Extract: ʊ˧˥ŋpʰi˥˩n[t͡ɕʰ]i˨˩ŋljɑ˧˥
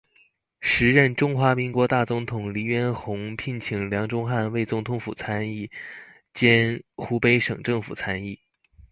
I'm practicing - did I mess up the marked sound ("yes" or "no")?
no